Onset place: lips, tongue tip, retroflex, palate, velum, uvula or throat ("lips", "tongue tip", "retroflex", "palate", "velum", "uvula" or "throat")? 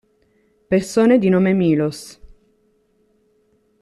lips